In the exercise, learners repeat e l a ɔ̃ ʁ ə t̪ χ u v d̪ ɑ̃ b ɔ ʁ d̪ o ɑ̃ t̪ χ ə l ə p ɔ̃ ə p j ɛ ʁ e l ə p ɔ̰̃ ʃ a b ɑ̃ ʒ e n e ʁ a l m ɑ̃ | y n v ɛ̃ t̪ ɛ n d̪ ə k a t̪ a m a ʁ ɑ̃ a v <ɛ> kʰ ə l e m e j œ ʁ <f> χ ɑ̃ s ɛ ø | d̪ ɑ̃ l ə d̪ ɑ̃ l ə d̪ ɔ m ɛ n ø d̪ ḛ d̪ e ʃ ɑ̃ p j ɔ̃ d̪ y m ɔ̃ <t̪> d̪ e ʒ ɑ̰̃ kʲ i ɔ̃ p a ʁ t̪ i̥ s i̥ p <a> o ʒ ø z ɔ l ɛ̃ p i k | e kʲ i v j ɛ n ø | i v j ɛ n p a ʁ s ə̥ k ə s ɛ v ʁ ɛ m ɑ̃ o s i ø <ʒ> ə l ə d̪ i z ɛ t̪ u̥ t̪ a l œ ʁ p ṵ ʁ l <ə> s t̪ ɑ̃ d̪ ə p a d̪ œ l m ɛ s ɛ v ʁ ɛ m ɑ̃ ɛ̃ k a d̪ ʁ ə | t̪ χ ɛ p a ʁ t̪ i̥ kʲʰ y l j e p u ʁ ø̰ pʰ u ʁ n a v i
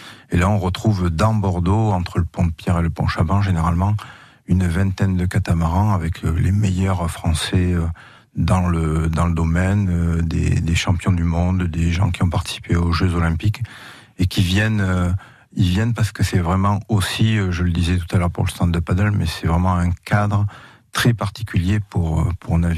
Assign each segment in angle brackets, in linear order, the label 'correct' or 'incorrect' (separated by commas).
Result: correct, correct, incorrect, incorrect, correct, correct